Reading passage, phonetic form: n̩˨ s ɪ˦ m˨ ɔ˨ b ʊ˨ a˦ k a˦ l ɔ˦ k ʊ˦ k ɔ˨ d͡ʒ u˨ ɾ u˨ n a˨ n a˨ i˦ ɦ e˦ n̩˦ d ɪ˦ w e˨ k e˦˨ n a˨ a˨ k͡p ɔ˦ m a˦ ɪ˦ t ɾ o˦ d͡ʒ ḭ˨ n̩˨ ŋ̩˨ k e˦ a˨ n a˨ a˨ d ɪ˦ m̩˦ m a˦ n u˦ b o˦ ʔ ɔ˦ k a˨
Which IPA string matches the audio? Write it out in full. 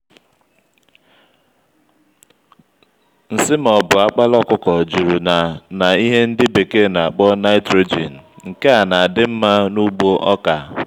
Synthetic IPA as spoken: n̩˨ s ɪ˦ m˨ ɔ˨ b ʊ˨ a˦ k͡p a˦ l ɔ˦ k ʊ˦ k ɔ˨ d͡ʒ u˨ ɾ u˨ n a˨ n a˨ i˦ ɦ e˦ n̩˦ d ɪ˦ b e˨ k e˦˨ n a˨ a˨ k͡p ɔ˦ n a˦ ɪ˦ t ɾ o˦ d͡ʒ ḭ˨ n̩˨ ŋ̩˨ k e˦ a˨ n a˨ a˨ d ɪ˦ m̩˦ m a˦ n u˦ ɡ͡b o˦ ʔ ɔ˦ k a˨